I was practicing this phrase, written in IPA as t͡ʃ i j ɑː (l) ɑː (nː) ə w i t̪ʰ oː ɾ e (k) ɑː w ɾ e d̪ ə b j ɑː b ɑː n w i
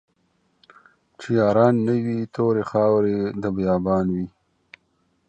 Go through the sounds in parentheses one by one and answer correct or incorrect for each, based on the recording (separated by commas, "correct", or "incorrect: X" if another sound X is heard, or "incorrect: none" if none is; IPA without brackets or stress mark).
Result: incorrect: ɾ, correct, incorrect: x